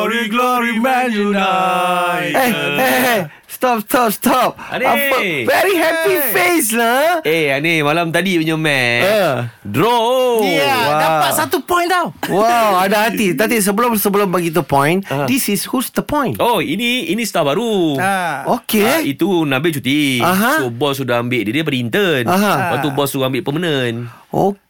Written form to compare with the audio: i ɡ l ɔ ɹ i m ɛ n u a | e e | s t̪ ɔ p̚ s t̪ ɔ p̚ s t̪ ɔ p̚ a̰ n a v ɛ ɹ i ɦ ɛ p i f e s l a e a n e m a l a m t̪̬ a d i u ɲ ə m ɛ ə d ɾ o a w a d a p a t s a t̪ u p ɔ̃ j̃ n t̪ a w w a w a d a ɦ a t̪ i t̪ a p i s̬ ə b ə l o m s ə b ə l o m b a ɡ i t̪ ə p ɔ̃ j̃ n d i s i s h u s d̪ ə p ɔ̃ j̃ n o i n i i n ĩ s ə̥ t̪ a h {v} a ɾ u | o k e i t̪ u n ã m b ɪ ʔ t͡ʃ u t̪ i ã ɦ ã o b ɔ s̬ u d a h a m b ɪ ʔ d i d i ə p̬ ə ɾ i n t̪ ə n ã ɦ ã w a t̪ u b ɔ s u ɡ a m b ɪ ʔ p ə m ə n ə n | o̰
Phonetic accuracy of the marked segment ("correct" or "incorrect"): incorrect